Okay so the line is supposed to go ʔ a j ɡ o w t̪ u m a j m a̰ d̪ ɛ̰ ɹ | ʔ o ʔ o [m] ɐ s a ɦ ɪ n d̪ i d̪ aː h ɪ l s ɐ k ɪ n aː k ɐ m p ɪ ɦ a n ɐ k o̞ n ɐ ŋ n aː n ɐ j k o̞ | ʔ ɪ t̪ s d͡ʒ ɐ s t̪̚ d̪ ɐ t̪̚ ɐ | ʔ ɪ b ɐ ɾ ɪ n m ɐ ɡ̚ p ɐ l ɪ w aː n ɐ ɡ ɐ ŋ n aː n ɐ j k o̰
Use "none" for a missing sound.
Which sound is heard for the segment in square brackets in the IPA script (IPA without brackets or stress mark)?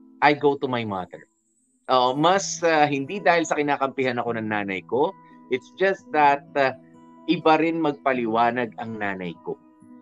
m